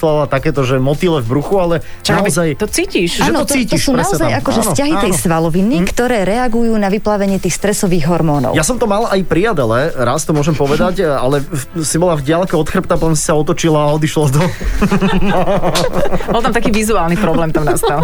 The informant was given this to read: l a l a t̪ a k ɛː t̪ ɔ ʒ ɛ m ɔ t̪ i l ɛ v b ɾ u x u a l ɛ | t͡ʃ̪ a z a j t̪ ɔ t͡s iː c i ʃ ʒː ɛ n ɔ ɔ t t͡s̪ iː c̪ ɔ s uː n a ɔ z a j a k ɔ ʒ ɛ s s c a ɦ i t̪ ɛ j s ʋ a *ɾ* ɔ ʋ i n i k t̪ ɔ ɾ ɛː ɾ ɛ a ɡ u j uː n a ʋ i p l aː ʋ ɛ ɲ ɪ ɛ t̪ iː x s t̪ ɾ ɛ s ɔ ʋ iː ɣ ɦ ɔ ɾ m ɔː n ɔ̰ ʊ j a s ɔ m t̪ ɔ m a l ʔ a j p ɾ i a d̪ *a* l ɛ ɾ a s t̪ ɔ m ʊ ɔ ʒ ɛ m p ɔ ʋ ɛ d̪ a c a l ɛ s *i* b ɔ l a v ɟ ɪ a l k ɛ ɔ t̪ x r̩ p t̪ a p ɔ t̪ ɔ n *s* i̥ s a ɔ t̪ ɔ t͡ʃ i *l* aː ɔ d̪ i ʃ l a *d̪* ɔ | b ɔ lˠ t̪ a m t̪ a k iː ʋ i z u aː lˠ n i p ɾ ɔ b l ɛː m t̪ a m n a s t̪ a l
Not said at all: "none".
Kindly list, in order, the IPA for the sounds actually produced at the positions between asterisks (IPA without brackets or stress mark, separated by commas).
l, ɛ, i, s, l, d̪